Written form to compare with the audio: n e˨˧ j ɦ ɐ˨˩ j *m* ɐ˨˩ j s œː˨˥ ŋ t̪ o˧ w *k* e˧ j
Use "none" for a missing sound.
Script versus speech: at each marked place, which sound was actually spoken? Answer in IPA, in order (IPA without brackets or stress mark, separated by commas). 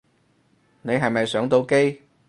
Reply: m, k